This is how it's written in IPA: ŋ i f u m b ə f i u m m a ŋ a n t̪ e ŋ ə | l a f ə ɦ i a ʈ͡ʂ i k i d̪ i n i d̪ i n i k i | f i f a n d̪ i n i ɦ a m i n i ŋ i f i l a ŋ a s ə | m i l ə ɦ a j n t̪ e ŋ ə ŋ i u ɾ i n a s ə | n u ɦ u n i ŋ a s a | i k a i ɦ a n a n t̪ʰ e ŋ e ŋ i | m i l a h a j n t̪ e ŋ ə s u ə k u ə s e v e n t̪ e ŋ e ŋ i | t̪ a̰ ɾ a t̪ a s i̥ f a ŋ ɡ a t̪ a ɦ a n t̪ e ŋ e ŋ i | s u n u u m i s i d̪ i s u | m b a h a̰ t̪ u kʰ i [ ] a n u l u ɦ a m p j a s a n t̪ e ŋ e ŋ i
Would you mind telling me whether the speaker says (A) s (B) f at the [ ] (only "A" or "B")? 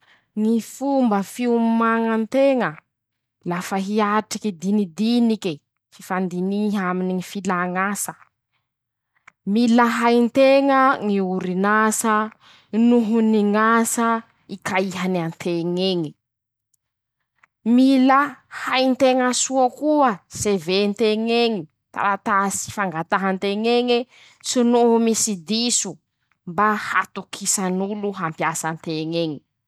A